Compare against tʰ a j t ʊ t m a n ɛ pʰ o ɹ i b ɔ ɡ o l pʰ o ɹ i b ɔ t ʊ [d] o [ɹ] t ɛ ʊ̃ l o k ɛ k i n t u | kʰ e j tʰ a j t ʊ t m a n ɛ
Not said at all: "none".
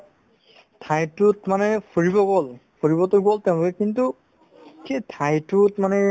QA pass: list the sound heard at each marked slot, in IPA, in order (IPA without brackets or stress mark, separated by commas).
ɡ, l